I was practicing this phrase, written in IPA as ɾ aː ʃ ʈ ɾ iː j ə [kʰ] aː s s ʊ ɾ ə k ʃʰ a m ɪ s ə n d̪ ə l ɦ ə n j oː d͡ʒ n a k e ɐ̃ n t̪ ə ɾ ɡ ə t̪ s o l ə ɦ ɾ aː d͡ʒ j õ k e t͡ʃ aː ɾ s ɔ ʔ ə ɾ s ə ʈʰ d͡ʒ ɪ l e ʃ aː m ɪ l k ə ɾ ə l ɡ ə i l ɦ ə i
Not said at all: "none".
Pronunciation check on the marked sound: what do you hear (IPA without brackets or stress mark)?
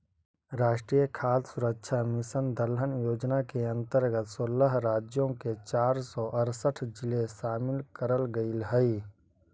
kʰ